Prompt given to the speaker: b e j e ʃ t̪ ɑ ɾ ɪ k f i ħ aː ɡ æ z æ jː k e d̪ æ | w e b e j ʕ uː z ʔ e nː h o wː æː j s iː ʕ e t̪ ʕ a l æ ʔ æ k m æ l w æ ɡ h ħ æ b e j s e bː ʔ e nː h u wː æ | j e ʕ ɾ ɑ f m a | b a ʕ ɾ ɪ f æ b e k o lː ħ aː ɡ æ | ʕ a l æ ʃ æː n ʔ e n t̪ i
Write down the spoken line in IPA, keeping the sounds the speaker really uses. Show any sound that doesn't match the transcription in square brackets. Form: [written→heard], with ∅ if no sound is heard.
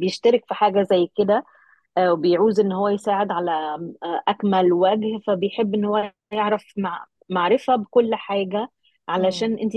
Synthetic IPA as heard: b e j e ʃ t̪ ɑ ɾ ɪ k f i ħ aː ɡ æ z æ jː k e d̪ æ | w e b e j ʕ uː z ʔ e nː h o wː [æː→æ] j s [iː→aː] ʕ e [t̪→d̪] ʕ a l æ ʔ æ k m æ l w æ ɡ h [ħ→f] æ b e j [s→ħ] e bː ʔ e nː h [u→o] wː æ | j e ʕ ɾ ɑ f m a | [b→m] a ʕ ɾ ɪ f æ b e k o lː ħ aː ɡ æ | ʕ a l æ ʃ æː n ʔ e n t̪ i